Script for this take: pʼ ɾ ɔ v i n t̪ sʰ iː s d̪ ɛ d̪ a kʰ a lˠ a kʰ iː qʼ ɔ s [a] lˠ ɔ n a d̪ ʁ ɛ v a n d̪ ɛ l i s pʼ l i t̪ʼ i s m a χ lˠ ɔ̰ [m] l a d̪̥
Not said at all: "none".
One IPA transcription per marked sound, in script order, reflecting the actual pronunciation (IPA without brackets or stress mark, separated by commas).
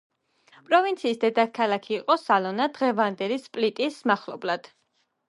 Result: a, b